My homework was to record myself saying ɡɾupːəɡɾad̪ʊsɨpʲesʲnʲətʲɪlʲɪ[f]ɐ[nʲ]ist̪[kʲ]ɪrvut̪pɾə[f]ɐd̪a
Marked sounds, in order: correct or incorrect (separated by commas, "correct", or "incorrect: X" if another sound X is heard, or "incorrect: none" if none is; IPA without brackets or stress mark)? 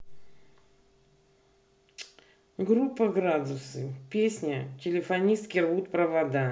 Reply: correct, correct, correct, incorrect: v